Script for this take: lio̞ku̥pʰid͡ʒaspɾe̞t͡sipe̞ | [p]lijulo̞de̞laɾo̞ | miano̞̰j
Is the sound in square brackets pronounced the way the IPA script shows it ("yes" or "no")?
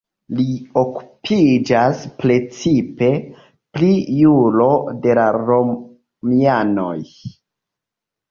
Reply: yes